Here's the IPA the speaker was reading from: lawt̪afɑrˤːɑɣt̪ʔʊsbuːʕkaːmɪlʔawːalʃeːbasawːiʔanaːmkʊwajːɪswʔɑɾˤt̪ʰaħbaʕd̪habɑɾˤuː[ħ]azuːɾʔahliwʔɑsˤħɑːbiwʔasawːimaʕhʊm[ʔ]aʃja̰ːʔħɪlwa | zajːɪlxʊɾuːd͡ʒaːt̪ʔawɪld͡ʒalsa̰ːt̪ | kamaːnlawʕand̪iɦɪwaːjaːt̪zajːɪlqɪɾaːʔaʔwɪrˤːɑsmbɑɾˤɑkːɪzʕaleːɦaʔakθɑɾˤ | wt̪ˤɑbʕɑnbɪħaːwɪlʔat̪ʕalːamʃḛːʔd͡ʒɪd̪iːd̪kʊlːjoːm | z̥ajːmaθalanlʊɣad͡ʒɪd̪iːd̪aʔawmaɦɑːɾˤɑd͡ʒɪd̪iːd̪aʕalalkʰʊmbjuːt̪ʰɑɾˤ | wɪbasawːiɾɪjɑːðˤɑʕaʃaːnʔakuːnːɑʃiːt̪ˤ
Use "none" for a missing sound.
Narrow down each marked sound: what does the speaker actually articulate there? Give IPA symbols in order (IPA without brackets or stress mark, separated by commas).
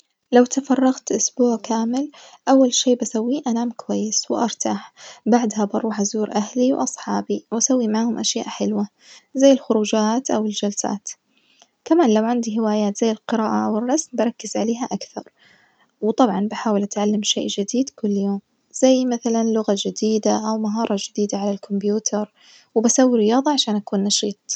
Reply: ħ, ʔ